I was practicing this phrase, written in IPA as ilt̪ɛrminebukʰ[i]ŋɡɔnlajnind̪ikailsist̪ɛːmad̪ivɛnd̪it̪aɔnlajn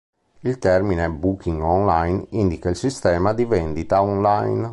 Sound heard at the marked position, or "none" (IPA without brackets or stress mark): i